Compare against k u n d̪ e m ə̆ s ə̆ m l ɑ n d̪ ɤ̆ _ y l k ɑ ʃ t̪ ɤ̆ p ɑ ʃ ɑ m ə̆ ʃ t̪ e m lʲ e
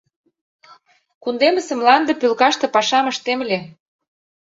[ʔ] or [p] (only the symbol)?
p